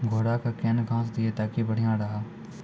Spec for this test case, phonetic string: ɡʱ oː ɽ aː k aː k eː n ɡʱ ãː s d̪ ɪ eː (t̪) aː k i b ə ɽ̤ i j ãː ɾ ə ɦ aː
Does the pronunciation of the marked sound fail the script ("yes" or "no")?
no